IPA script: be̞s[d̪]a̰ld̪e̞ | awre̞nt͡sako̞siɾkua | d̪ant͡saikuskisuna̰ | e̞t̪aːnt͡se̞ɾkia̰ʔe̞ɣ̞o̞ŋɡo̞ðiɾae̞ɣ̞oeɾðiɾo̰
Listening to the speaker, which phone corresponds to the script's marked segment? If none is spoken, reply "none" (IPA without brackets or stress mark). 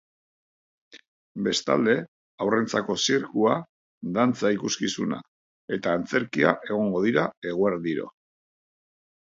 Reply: t̪